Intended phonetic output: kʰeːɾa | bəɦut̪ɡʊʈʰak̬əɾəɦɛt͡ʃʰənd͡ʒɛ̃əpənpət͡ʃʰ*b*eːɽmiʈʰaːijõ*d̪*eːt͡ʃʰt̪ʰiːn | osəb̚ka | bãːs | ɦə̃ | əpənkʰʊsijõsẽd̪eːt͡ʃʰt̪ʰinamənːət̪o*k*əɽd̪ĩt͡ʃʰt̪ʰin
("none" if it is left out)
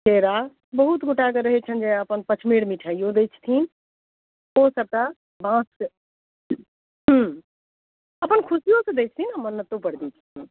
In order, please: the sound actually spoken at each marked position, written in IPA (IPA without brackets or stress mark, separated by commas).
m, d̪, p